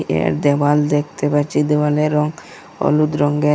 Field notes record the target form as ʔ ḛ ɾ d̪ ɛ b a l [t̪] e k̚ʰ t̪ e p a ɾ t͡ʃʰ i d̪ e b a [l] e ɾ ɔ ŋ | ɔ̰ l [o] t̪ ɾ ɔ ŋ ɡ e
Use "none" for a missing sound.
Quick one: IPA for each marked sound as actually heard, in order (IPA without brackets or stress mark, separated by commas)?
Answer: d̪, l, u